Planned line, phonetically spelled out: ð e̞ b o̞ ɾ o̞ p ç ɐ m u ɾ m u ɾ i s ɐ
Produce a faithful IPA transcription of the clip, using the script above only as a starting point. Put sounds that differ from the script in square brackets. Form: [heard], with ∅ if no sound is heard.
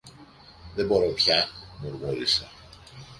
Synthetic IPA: ð e̞ b o̞ ɾ o̞ p ç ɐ m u ɾ m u ɾ i s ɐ